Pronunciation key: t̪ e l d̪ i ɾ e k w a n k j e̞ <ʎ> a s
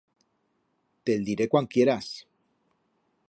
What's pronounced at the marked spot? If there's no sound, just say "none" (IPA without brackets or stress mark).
ɾ